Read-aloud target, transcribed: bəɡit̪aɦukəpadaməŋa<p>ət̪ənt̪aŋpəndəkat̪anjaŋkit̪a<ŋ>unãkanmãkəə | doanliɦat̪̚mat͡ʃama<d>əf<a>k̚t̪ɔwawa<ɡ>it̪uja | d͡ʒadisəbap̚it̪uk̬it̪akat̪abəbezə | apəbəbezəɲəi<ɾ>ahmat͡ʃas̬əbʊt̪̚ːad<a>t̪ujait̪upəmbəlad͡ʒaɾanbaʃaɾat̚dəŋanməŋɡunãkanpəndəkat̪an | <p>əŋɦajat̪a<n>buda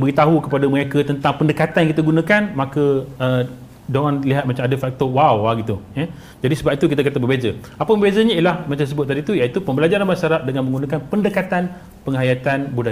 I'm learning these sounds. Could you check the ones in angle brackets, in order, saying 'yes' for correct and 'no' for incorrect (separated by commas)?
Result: no, no, yes, yes, yes, no, no, yes, yes